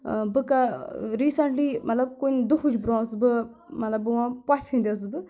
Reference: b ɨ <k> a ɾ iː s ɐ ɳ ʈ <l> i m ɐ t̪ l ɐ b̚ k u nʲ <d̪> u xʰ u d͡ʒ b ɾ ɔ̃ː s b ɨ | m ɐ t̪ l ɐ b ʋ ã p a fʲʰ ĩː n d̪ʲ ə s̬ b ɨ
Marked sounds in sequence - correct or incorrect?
correct, correct, correct

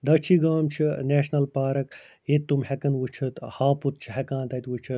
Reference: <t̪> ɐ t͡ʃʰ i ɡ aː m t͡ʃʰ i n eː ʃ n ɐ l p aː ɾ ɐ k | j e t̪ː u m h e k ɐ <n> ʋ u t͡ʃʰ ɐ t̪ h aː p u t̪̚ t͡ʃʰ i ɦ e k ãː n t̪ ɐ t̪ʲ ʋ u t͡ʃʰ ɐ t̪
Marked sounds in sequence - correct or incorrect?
incorrect, correct

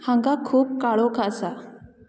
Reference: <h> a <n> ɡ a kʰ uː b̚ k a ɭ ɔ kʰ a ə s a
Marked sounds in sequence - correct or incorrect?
correct, incorrect

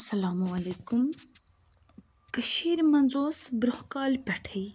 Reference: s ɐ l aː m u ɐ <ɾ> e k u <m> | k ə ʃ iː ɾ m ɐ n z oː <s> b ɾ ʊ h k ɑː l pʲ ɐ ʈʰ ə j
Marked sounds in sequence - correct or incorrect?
incorrect, correct, correct

